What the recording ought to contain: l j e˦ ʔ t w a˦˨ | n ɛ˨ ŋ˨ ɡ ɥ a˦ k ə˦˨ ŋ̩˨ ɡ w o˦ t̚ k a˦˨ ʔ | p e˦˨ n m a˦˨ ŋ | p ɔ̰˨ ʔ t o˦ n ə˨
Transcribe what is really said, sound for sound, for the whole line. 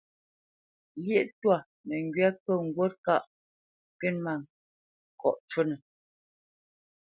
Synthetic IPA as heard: l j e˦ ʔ t w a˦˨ | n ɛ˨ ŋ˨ ɡ ɥ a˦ k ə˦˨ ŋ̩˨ ɡ w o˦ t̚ k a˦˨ ʔ | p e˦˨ n m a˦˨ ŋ | k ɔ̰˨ ʔ t͡ʃ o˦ n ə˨